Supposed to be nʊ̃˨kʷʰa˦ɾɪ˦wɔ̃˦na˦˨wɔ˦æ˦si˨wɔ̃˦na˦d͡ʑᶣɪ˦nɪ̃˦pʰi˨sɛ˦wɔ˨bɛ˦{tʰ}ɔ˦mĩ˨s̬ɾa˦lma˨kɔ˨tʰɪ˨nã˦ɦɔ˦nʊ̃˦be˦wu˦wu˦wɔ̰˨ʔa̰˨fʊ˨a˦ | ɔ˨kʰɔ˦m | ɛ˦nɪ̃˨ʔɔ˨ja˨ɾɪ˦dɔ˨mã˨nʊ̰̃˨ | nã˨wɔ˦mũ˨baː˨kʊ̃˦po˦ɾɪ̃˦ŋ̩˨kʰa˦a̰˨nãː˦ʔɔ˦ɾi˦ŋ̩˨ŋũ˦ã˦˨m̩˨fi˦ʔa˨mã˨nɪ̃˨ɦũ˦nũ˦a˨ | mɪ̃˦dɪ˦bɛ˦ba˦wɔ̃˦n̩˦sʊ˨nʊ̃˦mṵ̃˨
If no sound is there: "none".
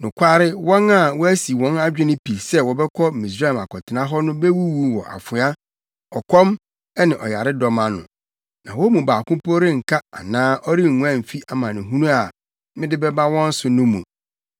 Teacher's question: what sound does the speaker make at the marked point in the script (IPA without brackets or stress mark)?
kʰ